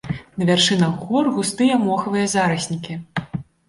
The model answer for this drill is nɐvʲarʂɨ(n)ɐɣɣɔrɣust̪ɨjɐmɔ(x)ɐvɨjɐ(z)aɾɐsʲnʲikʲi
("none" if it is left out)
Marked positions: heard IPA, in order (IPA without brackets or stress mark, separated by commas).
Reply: n, x, z